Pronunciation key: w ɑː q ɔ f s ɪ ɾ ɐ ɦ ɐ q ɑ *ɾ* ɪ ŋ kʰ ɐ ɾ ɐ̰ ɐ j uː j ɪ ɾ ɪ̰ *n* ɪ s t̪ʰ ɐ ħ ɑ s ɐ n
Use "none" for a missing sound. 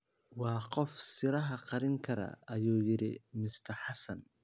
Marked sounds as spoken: ɾ, m

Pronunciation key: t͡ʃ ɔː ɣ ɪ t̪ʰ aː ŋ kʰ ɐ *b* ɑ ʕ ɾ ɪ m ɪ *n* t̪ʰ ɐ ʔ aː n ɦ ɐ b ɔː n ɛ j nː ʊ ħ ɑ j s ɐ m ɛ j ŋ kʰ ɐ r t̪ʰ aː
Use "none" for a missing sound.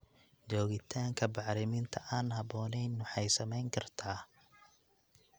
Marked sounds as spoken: b, n

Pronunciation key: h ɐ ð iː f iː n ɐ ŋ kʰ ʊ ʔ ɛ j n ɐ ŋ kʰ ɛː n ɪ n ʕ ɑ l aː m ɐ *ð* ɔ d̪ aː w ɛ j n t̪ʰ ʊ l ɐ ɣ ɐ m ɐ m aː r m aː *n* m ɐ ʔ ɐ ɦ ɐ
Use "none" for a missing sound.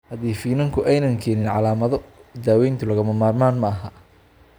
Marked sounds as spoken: ð, n

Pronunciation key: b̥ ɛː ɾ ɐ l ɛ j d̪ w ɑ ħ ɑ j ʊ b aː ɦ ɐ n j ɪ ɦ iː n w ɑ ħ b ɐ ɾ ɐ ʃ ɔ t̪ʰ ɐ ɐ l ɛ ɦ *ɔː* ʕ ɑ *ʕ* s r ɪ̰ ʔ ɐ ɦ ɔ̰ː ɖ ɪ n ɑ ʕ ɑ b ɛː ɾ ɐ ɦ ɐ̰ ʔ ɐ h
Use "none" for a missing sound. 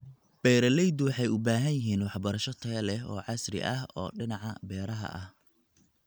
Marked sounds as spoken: ɔː, none

